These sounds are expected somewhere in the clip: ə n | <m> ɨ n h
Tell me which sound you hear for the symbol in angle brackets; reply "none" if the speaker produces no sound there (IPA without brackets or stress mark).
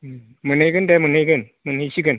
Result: m